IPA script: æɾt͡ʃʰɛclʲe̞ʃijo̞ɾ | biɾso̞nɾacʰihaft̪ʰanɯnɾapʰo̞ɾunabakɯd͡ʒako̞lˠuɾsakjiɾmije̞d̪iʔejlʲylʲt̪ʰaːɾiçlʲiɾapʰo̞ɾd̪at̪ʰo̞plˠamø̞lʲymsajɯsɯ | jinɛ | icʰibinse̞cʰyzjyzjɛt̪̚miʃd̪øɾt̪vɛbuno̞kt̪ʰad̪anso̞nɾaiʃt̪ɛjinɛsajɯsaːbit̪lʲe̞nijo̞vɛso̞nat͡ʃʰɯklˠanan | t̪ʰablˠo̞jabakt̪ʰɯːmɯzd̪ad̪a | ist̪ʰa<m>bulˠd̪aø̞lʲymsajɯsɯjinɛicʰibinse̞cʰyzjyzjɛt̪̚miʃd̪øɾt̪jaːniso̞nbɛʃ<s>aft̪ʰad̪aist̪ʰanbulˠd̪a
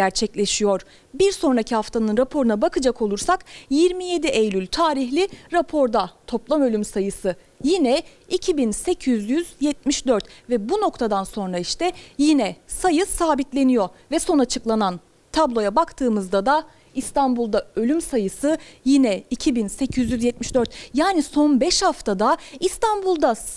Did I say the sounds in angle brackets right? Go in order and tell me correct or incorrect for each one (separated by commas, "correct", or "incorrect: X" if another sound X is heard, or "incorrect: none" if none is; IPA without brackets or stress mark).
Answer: incorrect: n, incorrect: h